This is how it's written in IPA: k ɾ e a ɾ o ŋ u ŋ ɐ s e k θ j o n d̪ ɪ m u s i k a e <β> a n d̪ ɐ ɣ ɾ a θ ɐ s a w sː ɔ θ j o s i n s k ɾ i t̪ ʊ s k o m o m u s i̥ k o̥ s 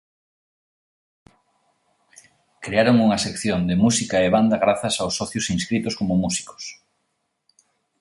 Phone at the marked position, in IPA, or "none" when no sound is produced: β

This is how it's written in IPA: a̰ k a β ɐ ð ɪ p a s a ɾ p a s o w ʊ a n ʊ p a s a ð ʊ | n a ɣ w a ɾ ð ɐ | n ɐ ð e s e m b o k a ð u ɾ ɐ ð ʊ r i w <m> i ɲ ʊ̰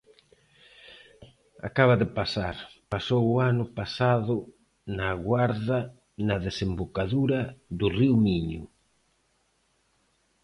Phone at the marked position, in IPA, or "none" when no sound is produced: m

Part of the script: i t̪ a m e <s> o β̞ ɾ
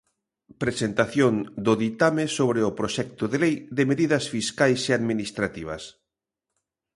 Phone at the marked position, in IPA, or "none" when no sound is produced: s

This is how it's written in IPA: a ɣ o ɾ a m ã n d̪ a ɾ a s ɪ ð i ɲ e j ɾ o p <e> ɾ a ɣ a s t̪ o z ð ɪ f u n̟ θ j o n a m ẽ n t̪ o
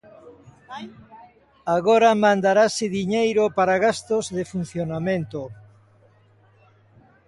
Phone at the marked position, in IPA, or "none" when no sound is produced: a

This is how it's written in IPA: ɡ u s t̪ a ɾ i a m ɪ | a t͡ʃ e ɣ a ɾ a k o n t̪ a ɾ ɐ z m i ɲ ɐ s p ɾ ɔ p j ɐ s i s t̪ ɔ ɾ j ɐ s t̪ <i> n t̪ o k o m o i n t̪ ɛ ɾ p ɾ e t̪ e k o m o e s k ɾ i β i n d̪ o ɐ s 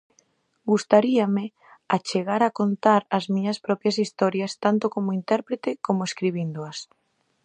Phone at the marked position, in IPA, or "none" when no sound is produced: a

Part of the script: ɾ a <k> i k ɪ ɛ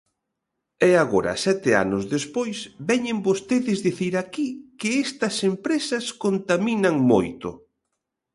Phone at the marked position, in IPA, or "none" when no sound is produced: k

